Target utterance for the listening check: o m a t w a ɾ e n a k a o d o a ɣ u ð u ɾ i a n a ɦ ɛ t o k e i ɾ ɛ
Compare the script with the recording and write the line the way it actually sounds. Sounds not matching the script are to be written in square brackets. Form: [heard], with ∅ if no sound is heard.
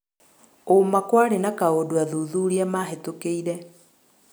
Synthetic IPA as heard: o m a [k] w a ɾ e n a k a o d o a [ð] u ð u ɾ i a [m] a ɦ [e] t o k e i ɾ ɛ